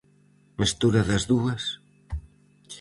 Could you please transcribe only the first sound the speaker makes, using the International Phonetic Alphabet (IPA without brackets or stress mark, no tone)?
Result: m